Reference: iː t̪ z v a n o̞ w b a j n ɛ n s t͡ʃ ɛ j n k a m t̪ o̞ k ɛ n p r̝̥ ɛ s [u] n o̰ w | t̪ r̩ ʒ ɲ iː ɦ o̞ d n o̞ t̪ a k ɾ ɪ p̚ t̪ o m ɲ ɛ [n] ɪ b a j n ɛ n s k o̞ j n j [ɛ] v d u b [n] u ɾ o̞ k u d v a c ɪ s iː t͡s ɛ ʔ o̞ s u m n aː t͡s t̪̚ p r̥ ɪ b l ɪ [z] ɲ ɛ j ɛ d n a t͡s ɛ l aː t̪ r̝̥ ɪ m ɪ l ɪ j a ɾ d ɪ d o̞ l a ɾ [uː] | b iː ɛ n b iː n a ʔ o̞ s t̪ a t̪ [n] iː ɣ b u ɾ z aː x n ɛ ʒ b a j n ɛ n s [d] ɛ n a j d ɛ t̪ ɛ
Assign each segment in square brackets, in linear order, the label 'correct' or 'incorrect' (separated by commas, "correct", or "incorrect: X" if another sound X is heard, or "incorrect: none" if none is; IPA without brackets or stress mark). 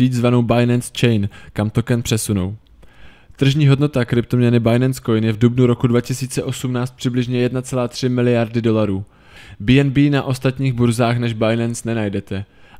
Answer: correct, correct, correct, correct, incorrect: ʒ, correct, incorrect: ɲ, incorrect: n